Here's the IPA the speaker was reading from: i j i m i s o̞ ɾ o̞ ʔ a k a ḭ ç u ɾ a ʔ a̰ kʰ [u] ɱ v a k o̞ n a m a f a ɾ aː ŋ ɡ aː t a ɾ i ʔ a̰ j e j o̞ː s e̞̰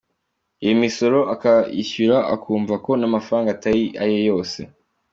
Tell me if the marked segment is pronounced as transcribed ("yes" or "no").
no